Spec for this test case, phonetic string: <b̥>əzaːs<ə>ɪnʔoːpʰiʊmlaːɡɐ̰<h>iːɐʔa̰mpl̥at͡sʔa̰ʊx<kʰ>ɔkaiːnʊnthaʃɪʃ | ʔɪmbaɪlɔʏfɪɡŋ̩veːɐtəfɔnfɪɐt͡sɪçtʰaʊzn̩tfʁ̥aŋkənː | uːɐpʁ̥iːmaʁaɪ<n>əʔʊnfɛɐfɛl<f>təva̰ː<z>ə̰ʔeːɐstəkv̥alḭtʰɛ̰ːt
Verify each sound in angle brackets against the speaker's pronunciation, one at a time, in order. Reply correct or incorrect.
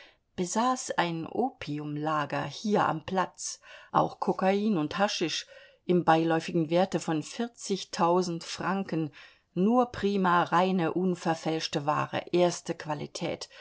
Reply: correct, incorrect, correct, correct, correct, incorrect, incorrect

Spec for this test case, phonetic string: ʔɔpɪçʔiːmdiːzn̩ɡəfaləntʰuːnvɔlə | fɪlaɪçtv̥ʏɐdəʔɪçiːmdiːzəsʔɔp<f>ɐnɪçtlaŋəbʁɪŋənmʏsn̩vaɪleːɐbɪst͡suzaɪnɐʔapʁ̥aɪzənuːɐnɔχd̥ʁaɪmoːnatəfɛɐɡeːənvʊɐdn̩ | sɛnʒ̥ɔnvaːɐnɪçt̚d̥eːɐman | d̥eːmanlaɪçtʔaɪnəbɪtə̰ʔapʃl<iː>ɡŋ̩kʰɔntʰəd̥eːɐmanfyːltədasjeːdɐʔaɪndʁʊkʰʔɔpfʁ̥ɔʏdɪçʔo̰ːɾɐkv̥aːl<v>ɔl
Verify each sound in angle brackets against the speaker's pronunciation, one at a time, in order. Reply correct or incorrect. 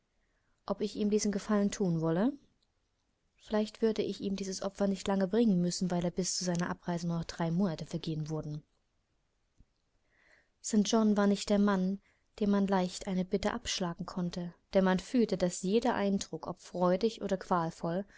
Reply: correct, incorrect, incorrect

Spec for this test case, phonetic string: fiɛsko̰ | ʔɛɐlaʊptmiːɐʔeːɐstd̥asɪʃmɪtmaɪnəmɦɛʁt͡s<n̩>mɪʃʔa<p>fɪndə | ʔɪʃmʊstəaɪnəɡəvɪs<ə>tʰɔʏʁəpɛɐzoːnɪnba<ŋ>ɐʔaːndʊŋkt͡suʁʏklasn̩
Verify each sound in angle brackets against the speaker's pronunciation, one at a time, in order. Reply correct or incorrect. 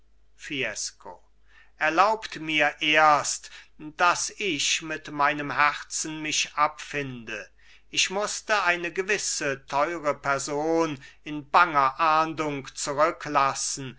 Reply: correct, correct, correct, correct

